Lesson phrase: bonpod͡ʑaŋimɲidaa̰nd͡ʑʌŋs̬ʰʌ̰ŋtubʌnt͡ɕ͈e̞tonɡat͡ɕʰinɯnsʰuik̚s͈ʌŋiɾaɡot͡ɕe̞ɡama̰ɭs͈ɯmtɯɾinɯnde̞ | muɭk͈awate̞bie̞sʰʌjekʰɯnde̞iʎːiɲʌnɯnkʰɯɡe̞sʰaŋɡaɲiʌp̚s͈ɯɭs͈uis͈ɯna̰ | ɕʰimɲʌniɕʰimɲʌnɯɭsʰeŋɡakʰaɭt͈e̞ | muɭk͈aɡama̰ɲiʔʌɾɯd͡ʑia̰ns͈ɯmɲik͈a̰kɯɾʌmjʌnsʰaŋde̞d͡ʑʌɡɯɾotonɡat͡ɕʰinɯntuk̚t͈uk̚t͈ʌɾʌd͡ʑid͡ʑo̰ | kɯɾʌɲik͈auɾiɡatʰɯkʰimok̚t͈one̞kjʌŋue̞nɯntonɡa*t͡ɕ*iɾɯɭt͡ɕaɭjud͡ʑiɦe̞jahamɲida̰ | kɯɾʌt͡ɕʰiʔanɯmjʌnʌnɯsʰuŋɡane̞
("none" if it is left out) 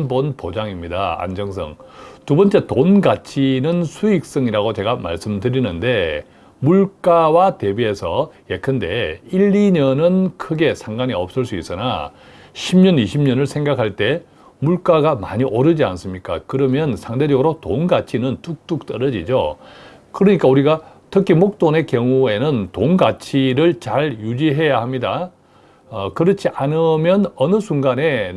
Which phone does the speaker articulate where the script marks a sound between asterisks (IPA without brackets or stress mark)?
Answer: t͡ɕʰ